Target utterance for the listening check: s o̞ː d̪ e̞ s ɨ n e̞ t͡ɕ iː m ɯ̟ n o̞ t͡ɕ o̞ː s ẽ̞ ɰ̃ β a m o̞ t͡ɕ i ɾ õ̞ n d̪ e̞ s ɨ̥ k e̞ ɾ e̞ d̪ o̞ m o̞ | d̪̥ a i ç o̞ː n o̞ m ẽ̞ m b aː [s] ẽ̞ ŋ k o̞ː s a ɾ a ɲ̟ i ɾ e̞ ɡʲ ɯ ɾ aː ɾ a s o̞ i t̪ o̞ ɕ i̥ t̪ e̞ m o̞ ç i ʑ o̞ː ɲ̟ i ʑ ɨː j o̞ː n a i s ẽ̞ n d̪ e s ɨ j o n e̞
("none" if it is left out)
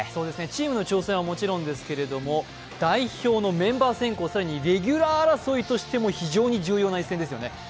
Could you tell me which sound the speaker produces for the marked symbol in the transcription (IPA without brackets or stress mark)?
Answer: s